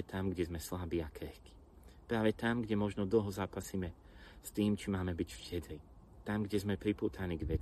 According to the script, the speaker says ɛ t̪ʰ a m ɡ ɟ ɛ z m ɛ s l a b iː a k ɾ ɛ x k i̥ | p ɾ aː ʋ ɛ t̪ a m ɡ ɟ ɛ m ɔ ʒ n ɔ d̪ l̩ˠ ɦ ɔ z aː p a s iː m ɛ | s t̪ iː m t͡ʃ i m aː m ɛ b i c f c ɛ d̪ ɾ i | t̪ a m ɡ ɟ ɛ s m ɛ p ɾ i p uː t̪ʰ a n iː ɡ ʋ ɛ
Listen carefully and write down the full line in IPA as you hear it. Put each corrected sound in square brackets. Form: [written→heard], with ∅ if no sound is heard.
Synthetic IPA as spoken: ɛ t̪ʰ a m ɡ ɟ ɛ z m ɛ s l a b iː a k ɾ ɛ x k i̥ | p ɾ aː ʋ ɛ t̪ a m ɡ ɟ ɛ m ɔ ʒ n ɔ d̪ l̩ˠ ɦ ɔ z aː p a s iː m ɛ | s t̪ iː m t͡ʃ i m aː m ɛ b i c f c ɛ d̪ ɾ i | t̪ a m ɡ ɟ ɛ [s→z] m ɛ p ɾ i p uː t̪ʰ a n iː ɡ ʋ ɛ